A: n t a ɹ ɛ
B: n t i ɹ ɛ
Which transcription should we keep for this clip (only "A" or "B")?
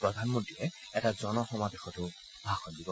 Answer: B